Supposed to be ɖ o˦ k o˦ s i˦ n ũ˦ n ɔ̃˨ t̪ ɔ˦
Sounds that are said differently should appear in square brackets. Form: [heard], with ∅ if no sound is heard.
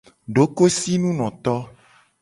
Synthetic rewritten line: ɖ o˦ k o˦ s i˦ n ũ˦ n ɔ̃˨ t̪ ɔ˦